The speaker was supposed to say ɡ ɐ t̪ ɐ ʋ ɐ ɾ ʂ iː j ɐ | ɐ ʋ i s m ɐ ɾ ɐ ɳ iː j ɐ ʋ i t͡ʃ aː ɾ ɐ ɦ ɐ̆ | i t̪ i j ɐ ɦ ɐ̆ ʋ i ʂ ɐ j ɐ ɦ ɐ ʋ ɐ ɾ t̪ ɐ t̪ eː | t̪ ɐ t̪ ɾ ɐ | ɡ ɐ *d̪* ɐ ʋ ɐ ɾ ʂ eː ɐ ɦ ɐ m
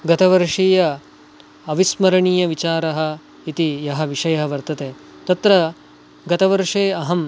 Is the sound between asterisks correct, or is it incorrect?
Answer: incorrect